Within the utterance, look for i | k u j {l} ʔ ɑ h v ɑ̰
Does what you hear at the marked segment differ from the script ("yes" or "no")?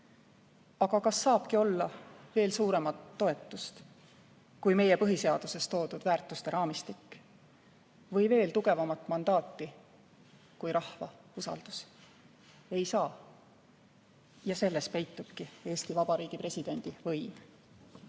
yes